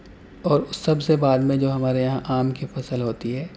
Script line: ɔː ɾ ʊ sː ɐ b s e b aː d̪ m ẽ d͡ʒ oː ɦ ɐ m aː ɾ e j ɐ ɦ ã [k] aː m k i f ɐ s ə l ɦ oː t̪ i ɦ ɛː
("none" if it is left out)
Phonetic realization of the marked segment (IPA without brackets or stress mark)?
ʔ